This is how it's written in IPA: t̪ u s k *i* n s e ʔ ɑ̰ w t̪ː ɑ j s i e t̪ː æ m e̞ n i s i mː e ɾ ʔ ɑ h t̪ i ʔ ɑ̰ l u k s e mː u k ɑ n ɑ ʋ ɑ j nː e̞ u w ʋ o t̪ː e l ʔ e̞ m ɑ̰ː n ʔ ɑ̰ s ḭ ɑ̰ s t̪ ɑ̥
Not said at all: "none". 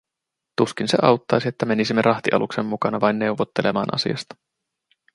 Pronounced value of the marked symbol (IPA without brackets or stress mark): i